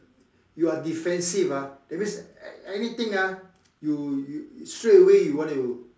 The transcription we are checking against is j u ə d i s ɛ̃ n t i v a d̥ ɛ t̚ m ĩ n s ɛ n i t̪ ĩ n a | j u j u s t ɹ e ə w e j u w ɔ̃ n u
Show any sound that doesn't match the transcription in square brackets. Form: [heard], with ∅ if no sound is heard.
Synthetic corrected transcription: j u [a] d i [f] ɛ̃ n [s] i v a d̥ ɛ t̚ m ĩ n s ɛ n i t̪ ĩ [ŋ] a | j u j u s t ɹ e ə w e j u w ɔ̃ n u